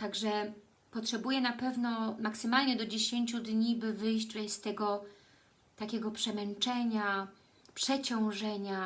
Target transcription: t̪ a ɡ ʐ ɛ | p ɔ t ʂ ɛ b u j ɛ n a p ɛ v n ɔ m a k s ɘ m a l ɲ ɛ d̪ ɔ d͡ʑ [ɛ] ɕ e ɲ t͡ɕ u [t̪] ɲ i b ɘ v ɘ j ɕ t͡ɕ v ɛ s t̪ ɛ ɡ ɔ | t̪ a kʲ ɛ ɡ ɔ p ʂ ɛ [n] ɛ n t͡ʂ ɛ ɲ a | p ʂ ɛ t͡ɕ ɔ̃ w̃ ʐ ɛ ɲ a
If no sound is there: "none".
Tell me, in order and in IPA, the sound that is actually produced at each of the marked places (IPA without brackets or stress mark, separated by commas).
e, d̪, m